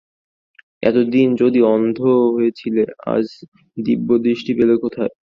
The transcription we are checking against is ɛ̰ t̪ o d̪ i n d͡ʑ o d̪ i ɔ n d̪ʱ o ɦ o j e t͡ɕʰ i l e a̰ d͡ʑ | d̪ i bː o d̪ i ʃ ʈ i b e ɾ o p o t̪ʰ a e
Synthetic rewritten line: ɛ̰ t̪ o d̪ i n d͡ʑ o d̪ i ɔ n d̪ʱ o ɦ o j e t͡ɕʰ i l e a̰ d͡ʑ | d̪ i bː o d̪ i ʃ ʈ i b e l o k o t̪ʰ a e